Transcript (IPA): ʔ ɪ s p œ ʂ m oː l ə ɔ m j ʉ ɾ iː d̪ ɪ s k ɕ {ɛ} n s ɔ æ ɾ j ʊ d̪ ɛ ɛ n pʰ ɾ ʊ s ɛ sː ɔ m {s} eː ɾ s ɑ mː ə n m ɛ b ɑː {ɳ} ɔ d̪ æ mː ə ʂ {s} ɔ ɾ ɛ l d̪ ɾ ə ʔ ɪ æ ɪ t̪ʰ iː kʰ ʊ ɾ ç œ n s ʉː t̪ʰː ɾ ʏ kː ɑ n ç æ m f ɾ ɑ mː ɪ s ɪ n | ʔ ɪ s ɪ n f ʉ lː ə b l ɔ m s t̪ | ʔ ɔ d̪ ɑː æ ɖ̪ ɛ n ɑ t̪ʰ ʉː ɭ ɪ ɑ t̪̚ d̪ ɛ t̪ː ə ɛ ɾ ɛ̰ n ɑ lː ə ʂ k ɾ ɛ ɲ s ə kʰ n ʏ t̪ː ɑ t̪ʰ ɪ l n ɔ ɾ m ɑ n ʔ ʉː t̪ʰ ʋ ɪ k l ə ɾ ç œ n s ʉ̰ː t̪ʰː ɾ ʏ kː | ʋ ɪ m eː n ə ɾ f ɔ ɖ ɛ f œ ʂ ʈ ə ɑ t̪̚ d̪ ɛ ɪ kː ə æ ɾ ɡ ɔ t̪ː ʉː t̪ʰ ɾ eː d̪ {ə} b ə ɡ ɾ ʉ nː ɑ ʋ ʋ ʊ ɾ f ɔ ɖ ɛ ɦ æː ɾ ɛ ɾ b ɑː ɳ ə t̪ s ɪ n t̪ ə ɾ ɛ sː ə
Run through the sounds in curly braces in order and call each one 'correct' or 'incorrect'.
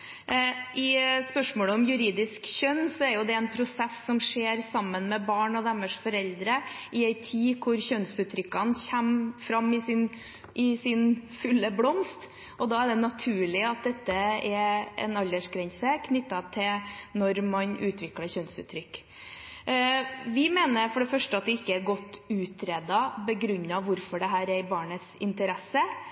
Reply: incorrect: œ, incorrect: ʂ, correct, incorrect: f, incorrect: ɑ

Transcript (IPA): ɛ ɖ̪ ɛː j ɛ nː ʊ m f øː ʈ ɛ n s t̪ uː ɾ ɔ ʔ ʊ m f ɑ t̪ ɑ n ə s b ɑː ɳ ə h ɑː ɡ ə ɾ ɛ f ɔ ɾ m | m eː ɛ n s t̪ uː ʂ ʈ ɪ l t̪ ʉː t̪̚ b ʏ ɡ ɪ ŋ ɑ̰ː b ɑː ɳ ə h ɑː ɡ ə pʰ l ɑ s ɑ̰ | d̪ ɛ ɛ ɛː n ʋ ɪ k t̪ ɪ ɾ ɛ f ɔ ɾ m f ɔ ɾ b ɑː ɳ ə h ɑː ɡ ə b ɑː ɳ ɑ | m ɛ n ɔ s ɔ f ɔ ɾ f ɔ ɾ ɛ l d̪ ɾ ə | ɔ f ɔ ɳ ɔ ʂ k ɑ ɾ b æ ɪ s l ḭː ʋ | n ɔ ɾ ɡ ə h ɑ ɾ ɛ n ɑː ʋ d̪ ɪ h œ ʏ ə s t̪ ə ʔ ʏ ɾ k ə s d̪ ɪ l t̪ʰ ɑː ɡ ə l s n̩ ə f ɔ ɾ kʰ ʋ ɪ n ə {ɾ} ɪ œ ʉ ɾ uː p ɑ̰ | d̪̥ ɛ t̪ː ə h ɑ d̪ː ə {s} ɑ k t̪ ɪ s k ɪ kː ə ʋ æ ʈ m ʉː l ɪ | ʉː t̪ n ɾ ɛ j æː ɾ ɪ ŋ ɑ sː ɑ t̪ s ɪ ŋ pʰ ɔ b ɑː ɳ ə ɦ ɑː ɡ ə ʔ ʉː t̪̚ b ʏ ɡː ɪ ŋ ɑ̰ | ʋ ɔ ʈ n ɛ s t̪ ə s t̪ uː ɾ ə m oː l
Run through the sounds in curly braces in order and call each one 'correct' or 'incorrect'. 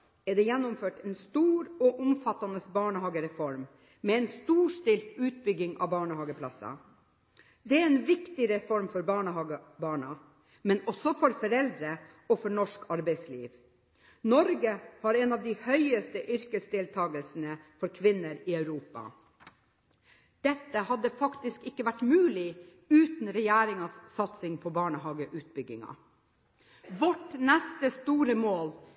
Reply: correct, incorrect: f

